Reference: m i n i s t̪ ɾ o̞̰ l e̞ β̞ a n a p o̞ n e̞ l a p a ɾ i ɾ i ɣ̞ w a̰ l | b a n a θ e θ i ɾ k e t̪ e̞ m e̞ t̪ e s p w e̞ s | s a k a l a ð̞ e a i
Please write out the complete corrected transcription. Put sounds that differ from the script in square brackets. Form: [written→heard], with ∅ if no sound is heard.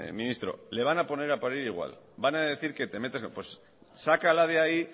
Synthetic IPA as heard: m i n i s t̪ ɾ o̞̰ l e̞ β̞ a n a p o̞ n e̞ [l→ɾ] a p a ɾ i ɾ i ɣ̞ w a̰ l | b a n a [θ→ð] e θ i ɾ k e t̪ e̞ m e̞ t̪ e s p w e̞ s | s a k a l a ð̞ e a i